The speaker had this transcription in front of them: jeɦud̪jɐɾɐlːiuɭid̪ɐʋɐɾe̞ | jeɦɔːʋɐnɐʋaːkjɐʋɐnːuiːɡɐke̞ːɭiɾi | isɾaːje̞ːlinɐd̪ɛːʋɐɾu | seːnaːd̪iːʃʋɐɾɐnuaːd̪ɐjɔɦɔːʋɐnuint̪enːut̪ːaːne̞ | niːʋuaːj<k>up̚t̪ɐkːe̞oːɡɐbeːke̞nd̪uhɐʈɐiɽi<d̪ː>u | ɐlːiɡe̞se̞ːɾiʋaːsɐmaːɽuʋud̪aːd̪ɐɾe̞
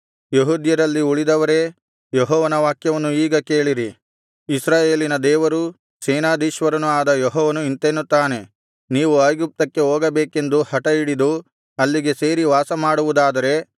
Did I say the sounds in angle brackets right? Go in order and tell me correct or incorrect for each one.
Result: incorrect, incorrect

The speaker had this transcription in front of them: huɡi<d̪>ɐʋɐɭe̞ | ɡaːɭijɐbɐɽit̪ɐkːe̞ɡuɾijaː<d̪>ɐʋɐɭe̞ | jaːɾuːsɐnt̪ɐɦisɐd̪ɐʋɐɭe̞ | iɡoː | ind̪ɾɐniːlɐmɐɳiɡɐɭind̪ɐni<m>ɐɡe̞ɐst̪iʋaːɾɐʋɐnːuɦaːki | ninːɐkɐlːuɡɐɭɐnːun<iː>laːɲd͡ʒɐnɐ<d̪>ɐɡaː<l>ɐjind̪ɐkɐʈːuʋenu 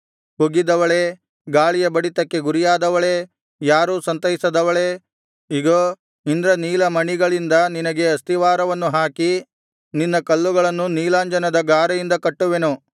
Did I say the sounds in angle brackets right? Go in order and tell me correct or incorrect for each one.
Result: correct, correct, incorrect, correct, correct, incorrect

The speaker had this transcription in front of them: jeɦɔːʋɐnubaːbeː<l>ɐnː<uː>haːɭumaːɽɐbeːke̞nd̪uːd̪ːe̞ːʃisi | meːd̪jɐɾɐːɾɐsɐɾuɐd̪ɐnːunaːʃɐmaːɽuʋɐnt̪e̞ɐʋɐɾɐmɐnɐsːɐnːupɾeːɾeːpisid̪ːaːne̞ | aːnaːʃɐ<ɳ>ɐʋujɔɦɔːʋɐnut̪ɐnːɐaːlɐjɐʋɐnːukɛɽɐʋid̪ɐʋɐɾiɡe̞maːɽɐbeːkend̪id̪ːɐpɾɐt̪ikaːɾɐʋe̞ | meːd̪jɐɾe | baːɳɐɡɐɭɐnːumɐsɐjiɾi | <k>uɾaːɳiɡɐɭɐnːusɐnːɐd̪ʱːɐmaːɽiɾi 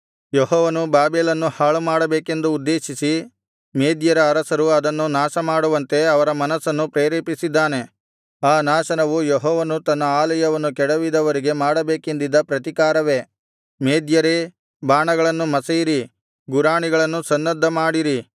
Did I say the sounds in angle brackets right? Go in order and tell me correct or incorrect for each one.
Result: correct, incorrect, incorrect, incorrect

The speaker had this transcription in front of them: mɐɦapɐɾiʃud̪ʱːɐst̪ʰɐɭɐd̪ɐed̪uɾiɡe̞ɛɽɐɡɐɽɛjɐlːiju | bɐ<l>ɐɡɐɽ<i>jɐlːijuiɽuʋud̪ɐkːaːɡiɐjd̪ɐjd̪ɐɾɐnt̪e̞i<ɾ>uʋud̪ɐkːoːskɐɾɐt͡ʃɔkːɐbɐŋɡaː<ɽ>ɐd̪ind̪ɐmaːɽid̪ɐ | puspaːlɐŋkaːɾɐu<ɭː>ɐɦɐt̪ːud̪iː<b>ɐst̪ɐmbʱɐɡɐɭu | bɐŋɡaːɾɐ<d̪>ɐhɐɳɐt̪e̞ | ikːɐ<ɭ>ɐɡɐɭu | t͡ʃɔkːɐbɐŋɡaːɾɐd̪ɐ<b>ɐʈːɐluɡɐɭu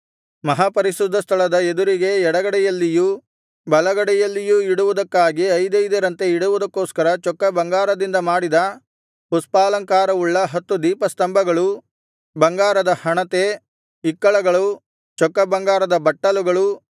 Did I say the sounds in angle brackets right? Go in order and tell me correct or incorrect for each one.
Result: correct, incorrect, incorrect, incorrect, correct, incorrect, correct, correct, correct

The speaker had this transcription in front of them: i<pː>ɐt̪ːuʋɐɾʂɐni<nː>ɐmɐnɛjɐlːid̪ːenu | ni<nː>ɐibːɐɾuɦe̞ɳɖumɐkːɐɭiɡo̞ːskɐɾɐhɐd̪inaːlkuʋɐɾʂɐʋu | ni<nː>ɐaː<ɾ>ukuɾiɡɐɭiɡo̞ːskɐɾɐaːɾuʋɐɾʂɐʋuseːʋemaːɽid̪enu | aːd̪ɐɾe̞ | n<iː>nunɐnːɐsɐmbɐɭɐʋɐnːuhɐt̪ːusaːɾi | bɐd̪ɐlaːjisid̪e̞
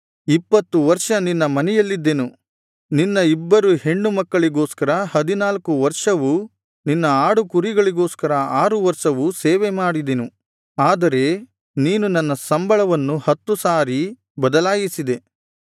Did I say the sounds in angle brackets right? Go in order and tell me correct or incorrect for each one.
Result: correct, correct, correct, correct, incorrect, correct

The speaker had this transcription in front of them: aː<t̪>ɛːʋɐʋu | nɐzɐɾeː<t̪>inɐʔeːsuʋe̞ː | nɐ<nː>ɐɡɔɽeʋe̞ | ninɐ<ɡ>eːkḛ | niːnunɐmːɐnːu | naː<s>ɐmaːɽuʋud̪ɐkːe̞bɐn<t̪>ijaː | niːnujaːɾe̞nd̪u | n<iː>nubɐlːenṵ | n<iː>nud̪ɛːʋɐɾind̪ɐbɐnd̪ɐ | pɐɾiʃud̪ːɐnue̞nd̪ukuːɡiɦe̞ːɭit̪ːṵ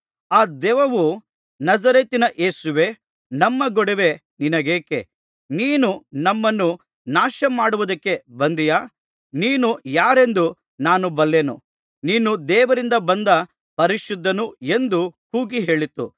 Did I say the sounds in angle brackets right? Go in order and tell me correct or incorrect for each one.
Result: incorrect, correct, incorrect, correct, incorrect, incorrect, incorrect, correct

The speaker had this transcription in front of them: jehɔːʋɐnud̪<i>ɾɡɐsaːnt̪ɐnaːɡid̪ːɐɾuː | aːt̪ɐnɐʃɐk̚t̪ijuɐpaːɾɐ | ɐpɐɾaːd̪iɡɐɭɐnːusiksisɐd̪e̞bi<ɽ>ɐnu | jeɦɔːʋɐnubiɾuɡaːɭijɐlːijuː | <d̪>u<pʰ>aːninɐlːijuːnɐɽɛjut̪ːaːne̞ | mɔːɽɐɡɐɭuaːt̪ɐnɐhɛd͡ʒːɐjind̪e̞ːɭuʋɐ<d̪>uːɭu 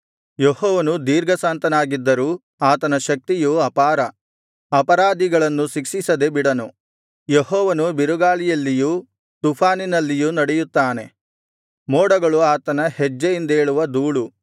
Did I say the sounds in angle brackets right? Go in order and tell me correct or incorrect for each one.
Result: incorrect, correct, incorrect, correct, correct

